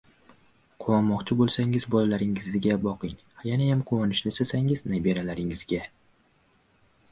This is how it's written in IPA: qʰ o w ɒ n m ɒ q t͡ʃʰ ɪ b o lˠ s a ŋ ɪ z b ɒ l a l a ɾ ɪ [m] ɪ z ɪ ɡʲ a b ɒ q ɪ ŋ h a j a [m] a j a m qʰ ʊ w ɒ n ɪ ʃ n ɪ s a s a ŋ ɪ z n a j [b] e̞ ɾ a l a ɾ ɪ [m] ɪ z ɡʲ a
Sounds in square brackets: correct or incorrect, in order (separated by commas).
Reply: incorrect, incorrect, correct, incorrect